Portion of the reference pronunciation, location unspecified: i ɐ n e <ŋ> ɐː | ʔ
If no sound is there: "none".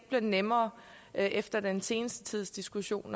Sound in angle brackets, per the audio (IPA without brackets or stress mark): m